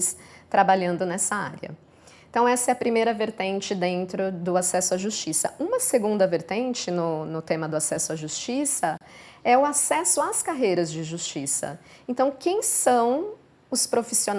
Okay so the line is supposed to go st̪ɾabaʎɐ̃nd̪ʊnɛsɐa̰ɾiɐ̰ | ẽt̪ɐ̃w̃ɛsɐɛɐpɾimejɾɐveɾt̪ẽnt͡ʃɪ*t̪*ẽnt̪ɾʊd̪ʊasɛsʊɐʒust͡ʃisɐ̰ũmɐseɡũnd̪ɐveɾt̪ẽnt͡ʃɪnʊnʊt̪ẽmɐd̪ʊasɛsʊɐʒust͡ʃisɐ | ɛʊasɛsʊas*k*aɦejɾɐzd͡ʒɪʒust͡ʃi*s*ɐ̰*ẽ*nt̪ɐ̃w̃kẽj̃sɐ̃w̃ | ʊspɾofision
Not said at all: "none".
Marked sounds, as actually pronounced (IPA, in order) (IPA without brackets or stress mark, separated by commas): d̪, k, s, ẽ